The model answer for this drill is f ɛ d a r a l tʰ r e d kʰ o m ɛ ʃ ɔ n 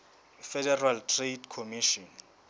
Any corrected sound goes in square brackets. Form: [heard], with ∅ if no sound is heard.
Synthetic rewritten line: f ɛ d [ɛ] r a l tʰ r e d kʰ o m [i] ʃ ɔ n